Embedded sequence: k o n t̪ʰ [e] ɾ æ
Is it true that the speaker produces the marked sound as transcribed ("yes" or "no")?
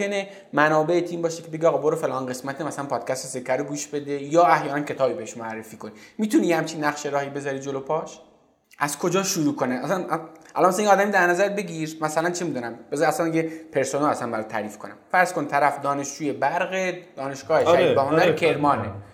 no